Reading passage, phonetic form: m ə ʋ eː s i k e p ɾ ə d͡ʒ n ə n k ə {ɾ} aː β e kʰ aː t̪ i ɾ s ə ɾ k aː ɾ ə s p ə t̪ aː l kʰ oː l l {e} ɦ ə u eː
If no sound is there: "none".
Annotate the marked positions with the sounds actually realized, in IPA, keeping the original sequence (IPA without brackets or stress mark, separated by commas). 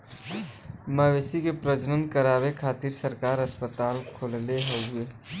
ɾ, e